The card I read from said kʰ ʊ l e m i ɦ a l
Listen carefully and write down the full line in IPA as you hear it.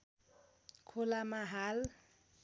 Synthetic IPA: kʰ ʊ l a m a ɦ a l